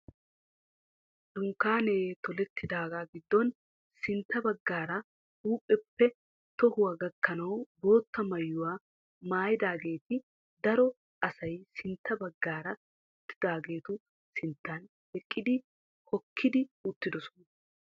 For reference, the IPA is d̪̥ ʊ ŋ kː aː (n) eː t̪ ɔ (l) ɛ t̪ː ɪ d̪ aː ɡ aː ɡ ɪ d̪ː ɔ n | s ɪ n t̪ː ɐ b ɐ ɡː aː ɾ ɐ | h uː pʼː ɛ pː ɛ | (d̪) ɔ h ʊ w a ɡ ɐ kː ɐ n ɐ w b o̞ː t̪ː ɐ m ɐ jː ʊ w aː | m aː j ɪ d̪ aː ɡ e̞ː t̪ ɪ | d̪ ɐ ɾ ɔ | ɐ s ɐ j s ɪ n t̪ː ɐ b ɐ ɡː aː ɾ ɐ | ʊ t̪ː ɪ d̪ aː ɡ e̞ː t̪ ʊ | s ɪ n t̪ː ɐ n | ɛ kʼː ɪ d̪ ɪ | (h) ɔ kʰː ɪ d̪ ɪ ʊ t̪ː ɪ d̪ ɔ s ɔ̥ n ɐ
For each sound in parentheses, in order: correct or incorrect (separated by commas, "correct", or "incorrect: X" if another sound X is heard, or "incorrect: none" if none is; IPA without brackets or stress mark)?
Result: correct, correct, incorrect: t̪, correct